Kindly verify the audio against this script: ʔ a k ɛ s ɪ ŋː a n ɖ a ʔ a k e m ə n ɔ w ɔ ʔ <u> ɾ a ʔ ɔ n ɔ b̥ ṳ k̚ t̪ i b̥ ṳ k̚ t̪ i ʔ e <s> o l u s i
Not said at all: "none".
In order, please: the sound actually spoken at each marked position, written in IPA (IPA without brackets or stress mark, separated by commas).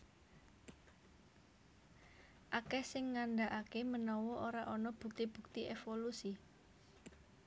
o, f